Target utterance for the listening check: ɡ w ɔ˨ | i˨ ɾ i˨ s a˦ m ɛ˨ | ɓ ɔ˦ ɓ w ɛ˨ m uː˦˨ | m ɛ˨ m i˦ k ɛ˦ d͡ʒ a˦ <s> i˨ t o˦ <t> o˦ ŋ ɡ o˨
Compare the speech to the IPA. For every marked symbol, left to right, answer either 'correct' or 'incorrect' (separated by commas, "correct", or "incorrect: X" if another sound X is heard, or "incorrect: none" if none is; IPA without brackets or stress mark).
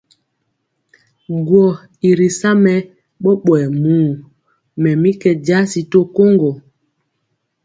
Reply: correct, incorrect: k